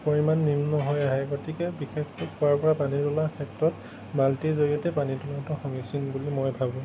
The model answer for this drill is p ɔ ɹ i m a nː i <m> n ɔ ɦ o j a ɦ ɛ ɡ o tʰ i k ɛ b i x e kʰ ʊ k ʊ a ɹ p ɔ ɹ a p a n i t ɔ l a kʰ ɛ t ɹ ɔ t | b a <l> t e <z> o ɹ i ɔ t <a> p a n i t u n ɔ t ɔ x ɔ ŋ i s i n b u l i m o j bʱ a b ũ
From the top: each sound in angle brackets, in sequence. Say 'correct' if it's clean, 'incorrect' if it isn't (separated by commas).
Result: correct, correct, correct, incorrect